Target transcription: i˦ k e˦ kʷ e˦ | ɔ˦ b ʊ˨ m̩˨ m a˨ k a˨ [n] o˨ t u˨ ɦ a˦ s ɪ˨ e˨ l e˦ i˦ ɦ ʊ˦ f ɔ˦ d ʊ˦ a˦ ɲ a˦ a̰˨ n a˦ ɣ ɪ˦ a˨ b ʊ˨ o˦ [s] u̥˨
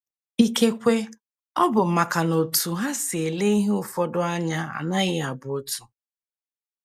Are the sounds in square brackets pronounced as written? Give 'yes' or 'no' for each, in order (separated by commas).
yes, no